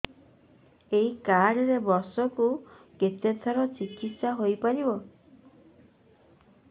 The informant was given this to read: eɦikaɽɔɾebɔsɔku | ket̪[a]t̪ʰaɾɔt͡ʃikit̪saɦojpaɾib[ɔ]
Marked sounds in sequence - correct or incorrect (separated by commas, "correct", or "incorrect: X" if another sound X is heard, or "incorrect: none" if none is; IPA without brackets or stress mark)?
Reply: incorrect: e, correct